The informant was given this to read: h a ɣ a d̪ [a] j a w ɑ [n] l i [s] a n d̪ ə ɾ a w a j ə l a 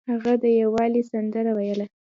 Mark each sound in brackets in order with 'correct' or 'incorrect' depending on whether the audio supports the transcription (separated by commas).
incorrect, incorrect, correct